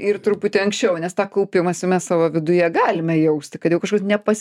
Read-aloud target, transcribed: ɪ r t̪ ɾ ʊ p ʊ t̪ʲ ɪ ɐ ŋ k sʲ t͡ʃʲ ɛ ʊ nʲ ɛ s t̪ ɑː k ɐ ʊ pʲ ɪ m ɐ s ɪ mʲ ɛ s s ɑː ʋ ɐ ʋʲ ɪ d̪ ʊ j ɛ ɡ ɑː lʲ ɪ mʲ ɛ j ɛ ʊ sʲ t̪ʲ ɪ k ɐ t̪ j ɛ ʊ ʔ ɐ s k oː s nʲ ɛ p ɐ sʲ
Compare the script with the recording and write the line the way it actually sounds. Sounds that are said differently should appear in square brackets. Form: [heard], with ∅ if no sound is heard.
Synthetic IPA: ɪ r t̪ ɾ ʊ p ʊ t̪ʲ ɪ ɐ ŋ k sʲ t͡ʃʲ ɛ ʊ nʲ ɛ s t̪ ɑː k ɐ ʊ pʲ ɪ m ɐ s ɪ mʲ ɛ s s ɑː ʋ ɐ ʋʲ ɪ d̪ ʊ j ɛ ɡ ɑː lʲ ɪ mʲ ɛ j ɛ ʊ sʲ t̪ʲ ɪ k ɐ t̪ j ɛ ʊ [k] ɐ [ʃ] k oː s nʲ ɛ p ɐ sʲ